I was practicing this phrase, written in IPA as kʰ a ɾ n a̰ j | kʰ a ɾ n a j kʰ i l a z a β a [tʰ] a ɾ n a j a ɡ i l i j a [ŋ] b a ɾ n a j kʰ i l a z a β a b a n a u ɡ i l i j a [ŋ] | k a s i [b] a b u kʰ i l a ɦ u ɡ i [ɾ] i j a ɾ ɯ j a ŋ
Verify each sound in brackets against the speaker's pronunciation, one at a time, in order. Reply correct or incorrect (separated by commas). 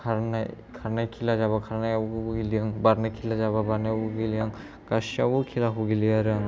incorrect, correct, correct, incorrect, incorrect